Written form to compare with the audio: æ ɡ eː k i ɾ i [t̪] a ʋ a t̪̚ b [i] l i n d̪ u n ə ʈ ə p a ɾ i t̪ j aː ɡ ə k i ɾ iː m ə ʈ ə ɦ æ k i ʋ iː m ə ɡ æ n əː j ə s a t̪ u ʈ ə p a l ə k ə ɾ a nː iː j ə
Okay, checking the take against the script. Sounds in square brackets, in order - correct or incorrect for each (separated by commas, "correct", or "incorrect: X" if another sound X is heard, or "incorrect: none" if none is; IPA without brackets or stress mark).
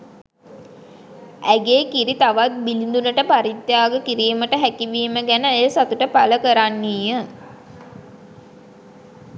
correct, correct